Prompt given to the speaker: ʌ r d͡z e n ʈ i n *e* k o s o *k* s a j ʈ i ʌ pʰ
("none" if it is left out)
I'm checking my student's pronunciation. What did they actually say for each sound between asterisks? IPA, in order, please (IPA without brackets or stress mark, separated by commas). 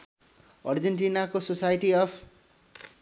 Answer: a, none